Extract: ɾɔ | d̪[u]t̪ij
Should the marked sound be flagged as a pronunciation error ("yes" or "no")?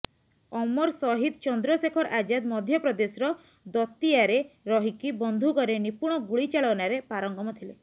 yes